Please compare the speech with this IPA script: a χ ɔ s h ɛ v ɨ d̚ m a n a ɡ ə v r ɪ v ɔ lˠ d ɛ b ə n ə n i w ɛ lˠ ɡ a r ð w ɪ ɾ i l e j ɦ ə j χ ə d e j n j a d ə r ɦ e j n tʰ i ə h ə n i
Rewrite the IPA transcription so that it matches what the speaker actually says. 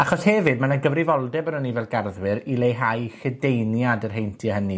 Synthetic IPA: a χ ɔ s h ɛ v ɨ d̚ m a n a ɡ ə v r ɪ v ɔ lˠ d ɛ b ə n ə n i v ɛ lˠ ɡ a r ð w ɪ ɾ i l e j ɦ a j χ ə d e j n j a d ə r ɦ e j n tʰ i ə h ə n i